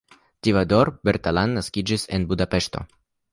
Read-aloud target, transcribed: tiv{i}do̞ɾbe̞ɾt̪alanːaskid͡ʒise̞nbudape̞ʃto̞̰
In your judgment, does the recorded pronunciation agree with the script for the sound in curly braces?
no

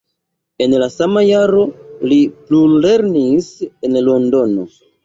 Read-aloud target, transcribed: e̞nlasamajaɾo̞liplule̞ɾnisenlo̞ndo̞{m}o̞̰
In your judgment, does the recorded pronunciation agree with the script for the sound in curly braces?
no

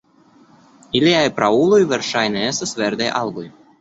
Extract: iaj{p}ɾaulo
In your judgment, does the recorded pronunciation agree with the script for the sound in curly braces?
yes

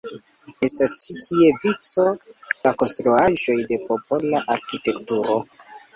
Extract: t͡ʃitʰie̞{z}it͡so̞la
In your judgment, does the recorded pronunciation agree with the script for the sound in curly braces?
no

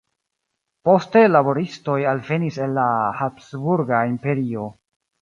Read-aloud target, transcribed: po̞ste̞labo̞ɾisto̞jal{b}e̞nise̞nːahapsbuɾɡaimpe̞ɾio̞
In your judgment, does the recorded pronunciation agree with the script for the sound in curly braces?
no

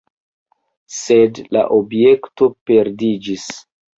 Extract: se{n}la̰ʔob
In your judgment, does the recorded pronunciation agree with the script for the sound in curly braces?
no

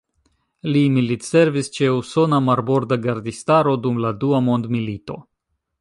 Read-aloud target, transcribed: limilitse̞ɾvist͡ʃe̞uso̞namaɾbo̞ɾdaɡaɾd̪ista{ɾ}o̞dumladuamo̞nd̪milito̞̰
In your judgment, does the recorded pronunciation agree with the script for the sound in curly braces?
yes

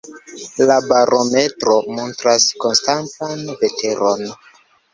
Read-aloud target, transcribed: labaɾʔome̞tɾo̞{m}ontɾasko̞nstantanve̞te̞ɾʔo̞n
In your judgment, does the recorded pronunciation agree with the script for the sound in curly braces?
yes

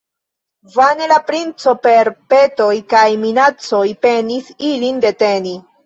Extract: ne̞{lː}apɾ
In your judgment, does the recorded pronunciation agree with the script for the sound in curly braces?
no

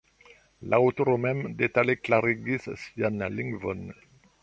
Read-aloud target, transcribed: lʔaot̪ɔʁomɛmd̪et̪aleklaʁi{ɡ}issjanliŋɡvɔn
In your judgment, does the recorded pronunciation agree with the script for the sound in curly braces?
yes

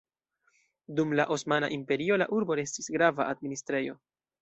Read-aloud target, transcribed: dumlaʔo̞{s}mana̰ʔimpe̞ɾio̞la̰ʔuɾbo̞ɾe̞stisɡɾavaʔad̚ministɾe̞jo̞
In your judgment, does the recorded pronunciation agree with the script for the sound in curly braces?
yes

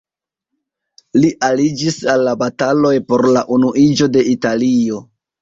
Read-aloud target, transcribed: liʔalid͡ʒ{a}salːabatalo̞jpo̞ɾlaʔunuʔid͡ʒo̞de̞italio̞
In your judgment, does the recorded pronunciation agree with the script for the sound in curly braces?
no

